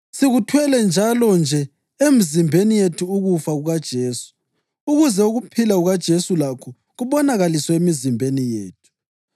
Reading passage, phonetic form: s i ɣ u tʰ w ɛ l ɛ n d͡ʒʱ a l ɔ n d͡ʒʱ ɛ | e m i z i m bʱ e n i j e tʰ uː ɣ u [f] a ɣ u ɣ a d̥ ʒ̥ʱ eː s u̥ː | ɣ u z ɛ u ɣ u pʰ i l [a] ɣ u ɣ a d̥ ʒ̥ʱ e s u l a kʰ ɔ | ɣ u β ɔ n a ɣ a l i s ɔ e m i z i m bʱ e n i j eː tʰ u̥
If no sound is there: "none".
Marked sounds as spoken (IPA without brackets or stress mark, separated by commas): f, a